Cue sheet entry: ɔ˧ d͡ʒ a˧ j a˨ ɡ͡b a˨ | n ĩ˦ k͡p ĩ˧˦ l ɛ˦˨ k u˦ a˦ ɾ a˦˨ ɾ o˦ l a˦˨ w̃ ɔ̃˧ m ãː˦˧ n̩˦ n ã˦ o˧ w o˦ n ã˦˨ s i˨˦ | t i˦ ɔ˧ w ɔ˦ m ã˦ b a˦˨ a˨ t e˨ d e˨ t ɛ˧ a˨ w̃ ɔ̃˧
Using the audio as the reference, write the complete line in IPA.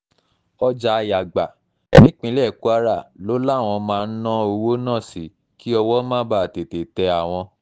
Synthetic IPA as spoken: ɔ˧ d͡ʒ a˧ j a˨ ɡ͡b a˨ | n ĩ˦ k͡p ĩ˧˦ l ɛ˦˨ k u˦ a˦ ɾ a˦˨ l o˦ l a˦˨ w̃ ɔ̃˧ m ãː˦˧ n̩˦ n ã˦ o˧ w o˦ n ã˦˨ s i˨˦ | k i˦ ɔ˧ w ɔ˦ m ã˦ b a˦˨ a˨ t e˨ t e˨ t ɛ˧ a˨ w̃ ɔ̃˧